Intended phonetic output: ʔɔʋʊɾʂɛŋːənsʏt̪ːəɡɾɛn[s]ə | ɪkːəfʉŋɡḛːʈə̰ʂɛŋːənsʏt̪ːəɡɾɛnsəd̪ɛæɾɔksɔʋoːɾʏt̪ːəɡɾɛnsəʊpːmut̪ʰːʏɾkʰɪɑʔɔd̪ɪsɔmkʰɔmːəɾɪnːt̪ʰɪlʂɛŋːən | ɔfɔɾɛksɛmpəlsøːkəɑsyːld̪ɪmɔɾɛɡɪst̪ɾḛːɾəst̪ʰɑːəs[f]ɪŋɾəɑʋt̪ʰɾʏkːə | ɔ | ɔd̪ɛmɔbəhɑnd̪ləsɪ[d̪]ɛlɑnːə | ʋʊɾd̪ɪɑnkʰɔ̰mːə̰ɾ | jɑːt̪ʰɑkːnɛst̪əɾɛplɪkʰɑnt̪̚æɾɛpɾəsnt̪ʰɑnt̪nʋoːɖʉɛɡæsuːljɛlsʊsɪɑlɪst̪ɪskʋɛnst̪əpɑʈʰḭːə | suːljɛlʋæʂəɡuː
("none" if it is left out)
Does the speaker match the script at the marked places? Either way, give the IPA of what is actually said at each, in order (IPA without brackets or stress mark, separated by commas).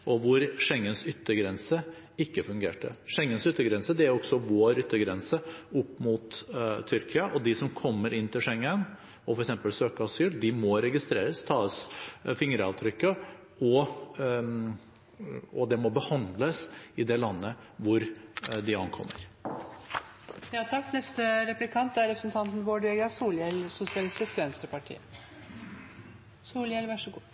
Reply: s, f, d̪